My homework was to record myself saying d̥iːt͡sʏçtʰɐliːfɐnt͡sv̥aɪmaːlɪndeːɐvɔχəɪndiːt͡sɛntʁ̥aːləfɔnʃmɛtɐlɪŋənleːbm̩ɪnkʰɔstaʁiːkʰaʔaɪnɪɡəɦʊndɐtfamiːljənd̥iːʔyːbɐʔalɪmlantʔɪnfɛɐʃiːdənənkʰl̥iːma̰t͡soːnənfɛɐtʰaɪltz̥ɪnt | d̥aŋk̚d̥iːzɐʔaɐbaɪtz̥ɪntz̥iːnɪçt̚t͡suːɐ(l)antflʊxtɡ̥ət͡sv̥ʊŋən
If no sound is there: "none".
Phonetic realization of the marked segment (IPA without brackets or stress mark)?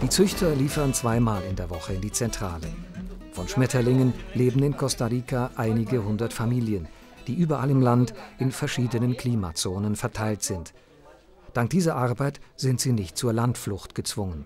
l